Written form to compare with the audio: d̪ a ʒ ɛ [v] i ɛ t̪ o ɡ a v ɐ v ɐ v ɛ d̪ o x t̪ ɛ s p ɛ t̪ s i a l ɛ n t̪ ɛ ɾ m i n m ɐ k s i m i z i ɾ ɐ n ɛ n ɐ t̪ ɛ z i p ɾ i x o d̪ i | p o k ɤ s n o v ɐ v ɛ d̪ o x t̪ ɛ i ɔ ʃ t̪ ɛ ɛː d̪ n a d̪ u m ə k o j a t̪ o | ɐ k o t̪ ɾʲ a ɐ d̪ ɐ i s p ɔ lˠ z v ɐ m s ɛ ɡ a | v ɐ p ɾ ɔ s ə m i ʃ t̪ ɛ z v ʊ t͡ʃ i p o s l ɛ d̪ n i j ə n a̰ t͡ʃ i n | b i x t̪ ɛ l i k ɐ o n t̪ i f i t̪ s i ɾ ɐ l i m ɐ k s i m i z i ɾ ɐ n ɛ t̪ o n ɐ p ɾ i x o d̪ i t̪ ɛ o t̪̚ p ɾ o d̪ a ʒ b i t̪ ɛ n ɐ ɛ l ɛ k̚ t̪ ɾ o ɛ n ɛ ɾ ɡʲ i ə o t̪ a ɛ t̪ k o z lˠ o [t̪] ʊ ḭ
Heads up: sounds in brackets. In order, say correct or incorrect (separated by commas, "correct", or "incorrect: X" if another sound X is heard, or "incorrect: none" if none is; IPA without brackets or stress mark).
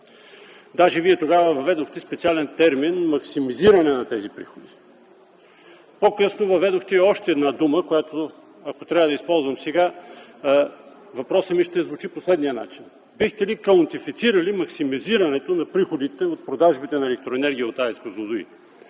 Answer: correct, incorrect: d̪